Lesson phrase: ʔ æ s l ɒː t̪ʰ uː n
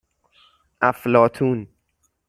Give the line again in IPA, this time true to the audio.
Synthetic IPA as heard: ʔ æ f l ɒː t̪ʰ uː n

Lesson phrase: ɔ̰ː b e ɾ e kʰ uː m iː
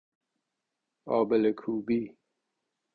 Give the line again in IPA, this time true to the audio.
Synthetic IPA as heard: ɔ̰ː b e l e kʰ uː b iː

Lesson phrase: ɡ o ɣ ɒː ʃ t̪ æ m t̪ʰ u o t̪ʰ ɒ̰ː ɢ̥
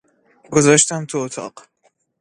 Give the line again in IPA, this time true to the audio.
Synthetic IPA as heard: ɡ o z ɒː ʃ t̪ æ m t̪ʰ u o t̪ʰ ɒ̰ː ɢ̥

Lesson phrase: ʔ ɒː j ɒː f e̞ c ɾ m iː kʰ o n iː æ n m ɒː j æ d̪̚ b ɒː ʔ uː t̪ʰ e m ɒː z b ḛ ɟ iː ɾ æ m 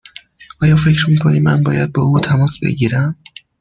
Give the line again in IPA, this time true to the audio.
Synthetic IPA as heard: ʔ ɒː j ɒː f e̞ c ɾ m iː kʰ o n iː æ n b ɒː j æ d̪̚ b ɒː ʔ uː t̪ʰ æ m ɒː s b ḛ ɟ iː ɾ æ m

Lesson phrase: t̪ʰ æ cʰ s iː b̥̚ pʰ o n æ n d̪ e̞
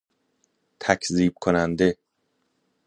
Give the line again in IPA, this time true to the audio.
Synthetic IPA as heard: t̪ʰ æ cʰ z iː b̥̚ kʰ o n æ n d̪ e̞

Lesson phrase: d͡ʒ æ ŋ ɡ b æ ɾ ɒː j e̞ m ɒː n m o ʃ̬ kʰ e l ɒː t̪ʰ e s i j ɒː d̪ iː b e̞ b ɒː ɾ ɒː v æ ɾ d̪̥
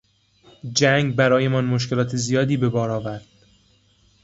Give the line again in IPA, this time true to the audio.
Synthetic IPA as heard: d͡ʒ æ ŋ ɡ b æ ɾ ɒː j e̞ m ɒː n m o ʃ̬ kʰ e l ɒː t̪ʰ e z i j ɒː d̪ iː b e̞ b ɒː ɾ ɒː v æ ɾ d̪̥

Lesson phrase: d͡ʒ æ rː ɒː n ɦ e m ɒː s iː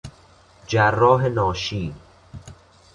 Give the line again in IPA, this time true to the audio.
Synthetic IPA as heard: d͡ʒ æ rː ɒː ɦ e n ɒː ʃ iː

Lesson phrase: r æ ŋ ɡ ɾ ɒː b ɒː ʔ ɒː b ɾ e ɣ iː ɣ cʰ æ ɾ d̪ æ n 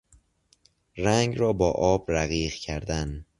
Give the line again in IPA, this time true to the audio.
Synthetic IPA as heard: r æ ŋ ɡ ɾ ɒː b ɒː ʔ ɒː b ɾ æ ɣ iː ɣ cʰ æ ɾ d̪ æ n

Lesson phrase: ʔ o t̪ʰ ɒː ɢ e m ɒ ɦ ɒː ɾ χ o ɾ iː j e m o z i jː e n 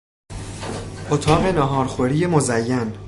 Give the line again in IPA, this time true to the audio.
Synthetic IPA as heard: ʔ o t̪ʰ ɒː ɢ e n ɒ ɦ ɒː ɾ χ o ɾ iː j e m o z æ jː æ n

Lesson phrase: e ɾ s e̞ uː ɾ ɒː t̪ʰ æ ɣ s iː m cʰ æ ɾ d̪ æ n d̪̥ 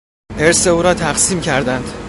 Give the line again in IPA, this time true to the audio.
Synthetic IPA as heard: e ɾ s e̞ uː ɾ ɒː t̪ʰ æ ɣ s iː m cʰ æ ɾ d̪ æ n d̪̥

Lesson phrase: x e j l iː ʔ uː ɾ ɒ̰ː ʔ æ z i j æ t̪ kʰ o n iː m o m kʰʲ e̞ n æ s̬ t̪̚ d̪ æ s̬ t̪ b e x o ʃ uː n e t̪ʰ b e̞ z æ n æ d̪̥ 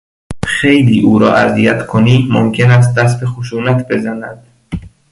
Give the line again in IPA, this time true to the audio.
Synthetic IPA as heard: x e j l iː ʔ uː ɾ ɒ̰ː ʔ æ z i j æ t̪ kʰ o n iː m o m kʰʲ e̞ n æ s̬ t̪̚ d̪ æ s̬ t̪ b e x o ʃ uː n æ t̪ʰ b e̞ z æ n æ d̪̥

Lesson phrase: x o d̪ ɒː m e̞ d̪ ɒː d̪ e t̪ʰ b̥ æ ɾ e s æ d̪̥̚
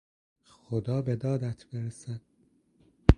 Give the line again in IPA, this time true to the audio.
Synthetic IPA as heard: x o d̪ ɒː b e̞ d̪ ɒː d̪ æ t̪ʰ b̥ e ɾ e s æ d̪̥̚

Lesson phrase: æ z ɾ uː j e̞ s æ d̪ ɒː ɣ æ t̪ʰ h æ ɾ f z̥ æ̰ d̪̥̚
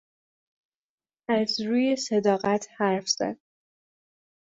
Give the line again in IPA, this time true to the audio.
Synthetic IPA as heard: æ z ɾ uː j e̞ s e d̪ ɒː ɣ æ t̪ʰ h æ ɾ f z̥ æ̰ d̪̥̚

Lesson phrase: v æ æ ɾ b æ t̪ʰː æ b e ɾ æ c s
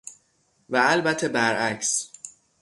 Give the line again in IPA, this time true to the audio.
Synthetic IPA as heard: v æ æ l b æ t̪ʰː e b æ ɾ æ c s

